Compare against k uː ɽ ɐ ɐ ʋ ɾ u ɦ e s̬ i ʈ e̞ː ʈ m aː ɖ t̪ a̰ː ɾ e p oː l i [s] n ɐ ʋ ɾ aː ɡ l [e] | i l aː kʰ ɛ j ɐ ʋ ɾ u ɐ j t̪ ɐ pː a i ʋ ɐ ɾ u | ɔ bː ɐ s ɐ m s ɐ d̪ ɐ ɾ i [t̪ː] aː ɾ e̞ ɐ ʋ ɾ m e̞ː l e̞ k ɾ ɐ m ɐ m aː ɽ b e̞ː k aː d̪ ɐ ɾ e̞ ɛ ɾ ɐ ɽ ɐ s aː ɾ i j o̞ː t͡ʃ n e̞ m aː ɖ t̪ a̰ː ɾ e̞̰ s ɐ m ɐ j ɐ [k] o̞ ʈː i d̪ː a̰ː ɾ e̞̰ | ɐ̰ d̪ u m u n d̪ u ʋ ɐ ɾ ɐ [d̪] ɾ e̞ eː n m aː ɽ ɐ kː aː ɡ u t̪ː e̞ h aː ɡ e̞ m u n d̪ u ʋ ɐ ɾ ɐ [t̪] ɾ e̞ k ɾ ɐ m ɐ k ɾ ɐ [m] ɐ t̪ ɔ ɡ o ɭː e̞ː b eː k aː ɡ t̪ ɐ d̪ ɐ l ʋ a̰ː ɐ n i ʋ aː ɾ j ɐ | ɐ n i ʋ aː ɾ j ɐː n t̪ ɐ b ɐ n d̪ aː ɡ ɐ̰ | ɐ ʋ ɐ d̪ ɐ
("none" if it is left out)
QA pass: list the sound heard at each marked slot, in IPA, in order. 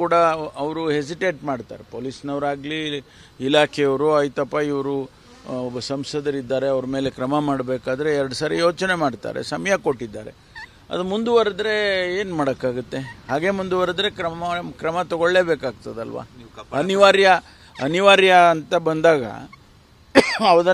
s, i, d̪ː, k, d̪, d̪, m

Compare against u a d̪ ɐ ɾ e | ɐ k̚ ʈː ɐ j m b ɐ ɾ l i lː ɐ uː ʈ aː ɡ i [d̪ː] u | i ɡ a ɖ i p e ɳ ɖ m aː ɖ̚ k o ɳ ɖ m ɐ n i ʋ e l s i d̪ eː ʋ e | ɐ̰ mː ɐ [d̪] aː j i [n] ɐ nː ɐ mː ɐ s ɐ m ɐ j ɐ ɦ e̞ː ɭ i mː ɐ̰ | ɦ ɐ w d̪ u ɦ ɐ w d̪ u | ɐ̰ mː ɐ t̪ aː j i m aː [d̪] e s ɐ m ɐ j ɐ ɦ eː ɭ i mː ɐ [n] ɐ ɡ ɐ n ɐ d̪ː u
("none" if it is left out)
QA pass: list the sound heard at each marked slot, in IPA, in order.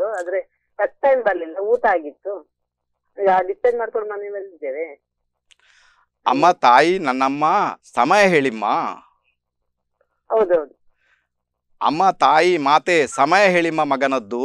t̪ː, t̪, n, t̪, m

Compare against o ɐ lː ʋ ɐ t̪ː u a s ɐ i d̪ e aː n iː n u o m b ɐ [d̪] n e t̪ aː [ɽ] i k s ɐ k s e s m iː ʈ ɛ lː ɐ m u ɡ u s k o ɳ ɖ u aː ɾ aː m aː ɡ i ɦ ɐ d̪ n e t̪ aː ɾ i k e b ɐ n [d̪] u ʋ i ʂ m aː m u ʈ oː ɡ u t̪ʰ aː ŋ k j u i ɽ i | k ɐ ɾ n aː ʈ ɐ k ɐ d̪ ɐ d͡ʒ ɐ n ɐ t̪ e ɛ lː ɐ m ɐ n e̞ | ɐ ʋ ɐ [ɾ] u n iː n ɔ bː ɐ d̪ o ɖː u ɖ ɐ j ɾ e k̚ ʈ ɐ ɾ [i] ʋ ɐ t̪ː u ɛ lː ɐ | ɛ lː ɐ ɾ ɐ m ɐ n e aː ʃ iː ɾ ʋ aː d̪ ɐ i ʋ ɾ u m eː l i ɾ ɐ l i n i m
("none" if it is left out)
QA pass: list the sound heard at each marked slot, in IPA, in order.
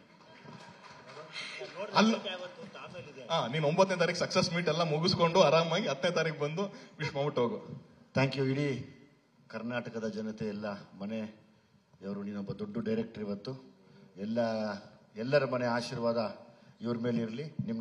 t̪, ɾ, d̪, ɾ, i

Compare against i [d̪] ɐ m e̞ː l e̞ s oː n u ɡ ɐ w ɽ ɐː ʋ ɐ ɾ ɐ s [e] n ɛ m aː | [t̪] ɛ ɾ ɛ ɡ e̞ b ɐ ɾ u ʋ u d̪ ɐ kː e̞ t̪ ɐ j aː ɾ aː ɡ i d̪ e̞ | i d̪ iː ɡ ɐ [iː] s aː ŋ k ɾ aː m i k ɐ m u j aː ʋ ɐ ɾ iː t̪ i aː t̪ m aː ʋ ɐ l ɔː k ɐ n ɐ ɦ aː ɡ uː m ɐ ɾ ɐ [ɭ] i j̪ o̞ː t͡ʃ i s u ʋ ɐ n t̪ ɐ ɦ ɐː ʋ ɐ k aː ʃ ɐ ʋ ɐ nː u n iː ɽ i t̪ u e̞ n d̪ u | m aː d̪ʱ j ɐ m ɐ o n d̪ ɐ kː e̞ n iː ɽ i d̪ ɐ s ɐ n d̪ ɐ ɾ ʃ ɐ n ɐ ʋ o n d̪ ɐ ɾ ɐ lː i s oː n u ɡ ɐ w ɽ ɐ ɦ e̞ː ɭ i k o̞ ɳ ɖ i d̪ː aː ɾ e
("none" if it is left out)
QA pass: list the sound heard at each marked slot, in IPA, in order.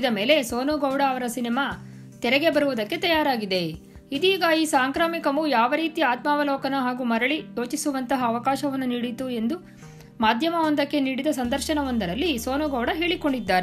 d̪, i, t̪, iː, ɭ

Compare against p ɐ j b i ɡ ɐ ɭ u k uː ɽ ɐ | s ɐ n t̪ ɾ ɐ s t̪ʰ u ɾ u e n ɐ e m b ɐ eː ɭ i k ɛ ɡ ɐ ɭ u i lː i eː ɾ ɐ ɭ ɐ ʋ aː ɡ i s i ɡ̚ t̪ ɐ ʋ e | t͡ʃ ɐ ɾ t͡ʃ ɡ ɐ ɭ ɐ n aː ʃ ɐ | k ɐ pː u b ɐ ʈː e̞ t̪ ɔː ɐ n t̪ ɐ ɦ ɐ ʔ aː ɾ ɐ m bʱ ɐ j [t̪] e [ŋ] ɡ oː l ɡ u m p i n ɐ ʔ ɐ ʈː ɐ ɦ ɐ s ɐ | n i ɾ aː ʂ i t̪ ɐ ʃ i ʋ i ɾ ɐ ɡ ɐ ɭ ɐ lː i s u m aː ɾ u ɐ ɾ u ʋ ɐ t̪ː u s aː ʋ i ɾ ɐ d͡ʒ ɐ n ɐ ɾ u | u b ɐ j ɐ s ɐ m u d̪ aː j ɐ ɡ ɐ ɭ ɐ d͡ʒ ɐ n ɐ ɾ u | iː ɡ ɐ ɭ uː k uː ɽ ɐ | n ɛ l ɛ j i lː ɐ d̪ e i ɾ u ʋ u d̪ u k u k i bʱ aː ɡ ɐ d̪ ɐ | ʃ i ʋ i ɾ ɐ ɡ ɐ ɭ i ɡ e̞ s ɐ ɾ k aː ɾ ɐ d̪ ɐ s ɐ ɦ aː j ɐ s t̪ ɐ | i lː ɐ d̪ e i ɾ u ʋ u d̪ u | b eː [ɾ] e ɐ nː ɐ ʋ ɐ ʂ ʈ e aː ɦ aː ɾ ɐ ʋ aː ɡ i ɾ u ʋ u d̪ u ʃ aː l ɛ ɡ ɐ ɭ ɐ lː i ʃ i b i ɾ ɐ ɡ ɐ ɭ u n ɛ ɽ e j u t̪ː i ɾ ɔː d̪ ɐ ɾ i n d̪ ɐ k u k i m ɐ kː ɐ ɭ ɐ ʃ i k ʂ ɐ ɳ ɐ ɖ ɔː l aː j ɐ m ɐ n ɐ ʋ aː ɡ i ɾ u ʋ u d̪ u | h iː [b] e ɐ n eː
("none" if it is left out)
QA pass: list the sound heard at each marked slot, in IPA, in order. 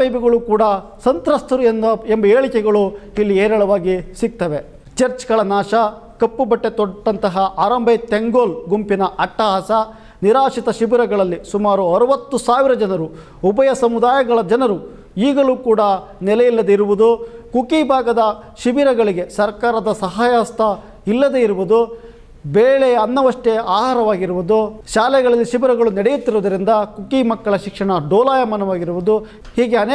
t̪, ŋ, ɭ, ɡ

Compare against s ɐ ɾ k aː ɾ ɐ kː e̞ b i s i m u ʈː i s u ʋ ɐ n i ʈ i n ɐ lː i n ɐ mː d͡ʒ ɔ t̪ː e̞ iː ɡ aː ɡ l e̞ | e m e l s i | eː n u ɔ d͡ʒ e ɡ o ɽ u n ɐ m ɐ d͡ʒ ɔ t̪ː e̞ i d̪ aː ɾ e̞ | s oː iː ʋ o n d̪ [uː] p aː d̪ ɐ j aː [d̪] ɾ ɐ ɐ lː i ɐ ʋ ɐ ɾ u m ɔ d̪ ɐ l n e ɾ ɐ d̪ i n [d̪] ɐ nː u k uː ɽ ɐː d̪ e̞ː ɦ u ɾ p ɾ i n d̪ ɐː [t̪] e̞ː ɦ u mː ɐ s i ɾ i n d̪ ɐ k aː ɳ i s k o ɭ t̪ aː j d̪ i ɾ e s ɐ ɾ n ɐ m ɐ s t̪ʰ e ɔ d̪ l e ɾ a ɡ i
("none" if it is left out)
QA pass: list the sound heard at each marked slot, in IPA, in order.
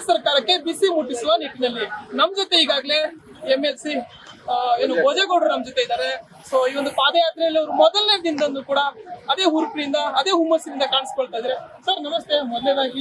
u, t̪, d̪, d̪

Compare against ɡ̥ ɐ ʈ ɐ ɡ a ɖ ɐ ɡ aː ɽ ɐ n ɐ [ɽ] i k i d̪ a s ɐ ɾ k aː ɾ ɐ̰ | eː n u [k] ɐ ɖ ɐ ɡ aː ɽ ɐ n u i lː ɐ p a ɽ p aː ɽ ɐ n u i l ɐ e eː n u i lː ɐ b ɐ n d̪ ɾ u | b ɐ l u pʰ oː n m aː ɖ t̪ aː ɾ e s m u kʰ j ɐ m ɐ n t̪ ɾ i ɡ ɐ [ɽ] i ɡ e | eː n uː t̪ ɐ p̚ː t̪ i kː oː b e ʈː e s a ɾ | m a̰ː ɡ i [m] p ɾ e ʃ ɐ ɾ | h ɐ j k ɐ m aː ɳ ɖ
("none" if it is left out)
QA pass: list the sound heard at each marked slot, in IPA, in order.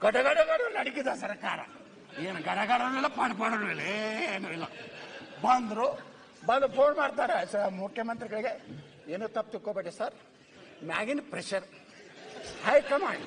ɽ, ɡ, ɭ, n

